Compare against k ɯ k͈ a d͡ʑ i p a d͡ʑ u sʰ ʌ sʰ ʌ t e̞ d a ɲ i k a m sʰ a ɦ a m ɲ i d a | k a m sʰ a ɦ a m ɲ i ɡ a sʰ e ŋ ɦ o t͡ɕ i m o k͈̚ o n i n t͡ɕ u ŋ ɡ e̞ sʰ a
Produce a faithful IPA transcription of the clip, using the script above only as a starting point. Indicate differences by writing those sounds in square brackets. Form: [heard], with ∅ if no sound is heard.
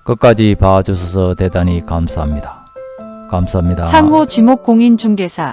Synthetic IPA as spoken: k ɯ k͈ a d͡ʑ i p a d͡ʑ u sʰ ʌ sʰ ʌ t e̞ d a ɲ i k a m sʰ a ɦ a m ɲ i d a | k a m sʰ a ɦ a m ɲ i [d] a sʰ [a] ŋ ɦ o t͡ɕ i m o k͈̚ o [ŋ] i n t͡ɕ u ŋ ɡ e̞ sʰ a

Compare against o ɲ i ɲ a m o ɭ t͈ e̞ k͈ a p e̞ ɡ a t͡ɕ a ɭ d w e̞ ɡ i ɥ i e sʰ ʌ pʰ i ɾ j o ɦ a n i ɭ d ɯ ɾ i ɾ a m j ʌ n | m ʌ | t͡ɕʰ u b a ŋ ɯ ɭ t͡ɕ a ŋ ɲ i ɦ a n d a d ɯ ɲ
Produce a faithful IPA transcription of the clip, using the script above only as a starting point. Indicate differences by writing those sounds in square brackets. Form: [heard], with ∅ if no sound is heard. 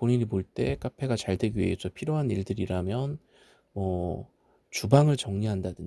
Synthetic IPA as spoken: o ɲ i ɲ [i] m o ɭ t͈ e̞ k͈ a [pʰ] e̞ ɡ a t͡ɕ a ɭ d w e̞ ɡ i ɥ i e sʰ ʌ pʰ i ɾ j o ɦ a n i ɭ d ɯ ɾ i ɾ a m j ʌ n | m ʌ | [t͡ɕ] u b a ŋ ɯ ɭ t͡ɕ [ʌ] ŋ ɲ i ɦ a n d a d ɯ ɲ

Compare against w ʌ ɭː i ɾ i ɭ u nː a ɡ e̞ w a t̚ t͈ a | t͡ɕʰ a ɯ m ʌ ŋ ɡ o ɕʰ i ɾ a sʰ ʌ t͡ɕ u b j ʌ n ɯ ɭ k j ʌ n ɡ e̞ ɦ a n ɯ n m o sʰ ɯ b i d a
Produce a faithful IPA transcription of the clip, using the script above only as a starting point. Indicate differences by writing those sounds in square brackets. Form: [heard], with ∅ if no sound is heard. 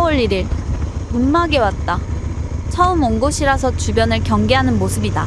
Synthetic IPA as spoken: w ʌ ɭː i ɾ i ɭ u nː a ɡ e̞ w a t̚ t͈ a | t͡ɕʰ [ʌ] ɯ m ʌ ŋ ɡ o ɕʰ i ɾ a sʰ ʌ t͡ɕ u b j ʌ n ɯ ɭ k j ʌ [ŋ] ɡ e̞ ɦ a n ɯ n m o sʰ ɯ b i d a

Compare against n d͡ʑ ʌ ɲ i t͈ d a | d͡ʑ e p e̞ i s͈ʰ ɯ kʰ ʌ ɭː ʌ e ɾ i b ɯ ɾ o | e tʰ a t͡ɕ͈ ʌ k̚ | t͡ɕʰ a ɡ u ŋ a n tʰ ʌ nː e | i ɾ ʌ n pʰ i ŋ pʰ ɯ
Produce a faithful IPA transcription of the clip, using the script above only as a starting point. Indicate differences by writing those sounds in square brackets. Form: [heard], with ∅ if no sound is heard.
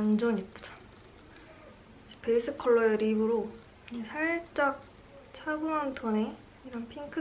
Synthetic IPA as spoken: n d͡ʑ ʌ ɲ i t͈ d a | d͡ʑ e p e̞ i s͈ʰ ɯ kʰ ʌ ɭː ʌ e ɾ i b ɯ ɾ o | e [sʰ] a t͡ɕ͈ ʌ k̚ | t͡ɕʰ a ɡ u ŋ a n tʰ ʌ [n] e | i ɾ ʌ n pʰ i ŋ [kʰ] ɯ

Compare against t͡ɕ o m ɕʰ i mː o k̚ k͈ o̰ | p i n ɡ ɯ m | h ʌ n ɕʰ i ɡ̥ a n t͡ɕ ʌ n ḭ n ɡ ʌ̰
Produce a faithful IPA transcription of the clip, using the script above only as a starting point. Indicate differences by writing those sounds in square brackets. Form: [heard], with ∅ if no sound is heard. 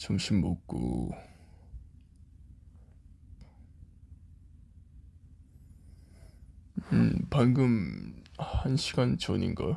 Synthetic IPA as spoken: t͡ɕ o m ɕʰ i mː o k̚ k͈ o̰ | p [a] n ɡ ɯ m | h [a] n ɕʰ i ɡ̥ a n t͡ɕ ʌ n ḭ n ɡ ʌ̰

